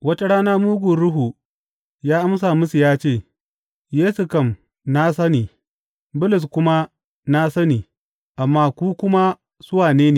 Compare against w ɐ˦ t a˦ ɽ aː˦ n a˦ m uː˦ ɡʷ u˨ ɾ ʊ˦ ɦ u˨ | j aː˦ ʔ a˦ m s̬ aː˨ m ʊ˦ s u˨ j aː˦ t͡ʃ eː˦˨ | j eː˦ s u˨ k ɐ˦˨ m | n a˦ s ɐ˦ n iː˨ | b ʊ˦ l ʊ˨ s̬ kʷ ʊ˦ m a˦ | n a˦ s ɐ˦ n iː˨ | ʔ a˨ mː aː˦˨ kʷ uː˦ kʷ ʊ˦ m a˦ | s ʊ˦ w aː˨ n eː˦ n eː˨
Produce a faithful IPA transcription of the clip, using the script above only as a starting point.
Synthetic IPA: w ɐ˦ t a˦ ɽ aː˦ n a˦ m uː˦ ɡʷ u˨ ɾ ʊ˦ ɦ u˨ | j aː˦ ʔ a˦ m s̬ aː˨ m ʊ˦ s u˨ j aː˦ t͡ʃ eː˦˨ | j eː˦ s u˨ k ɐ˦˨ m | n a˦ s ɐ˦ n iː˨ | b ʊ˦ l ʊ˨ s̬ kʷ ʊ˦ m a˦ | n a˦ s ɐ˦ n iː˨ | ʔ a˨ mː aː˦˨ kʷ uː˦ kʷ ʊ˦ m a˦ | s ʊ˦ w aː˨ n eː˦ n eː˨